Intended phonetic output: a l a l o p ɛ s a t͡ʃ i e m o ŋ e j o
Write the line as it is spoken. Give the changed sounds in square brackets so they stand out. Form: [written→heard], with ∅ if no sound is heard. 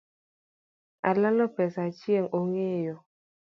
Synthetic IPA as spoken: a l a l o p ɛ s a t͡ʃ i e [m→ŋ] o ŋ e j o